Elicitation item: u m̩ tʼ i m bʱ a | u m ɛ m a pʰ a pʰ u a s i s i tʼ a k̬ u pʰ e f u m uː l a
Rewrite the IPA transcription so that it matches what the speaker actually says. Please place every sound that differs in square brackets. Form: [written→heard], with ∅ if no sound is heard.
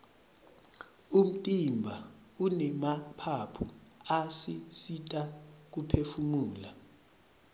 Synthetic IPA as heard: u m̩ tʼ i m bʱ a | u [m→n] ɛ m a pʰ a pʰ u a s i s i tʼ a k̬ u pʰ e f u m uː l a